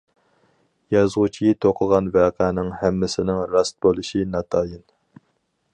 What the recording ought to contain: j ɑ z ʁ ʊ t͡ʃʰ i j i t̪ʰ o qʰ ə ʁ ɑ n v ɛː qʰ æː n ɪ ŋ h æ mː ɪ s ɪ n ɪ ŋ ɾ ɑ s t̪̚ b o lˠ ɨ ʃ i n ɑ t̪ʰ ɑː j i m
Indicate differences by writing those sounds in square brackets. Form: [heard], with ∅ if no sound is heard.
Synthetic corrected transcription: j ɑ z ʁ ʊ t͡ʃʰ i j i t̪ʰ o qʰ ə ʁ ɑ n v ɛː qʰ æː n ɪ ŋ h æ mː ɪ s ɪ n ɪ ŋ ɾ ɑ s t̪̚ b o lˠ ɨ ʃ i n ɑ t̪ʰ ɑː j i [n]